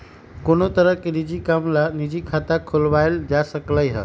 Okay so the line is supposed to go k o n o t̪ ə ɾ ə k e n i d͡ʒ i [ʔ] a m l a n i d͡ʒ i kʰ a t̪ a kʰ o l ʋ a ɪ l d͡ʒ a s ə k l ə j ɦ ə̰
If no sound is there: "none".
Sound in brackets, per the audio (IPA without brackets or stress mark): k